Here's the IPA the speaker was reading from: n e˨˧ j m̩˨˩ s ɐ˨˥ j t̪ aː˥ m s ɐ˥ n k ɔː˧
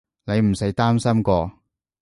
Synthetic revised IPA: n e˨˧ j m̩˨˩ s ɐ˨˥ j t̪ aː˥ m s ɐ˥ m k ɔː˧